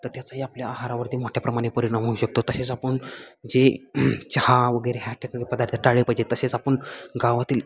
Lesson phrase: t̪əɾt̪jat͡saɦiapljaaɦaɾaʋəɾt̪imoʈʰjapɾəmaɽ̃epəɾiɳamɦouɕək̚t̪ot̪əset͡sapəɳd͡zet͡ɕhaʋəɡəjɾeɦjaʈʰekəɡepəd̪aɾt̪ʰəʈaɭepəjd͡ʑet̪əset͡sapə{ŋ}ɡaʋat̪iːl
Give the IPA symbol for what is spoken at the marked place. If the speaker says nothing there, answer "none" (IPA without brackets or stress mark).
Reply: ɳ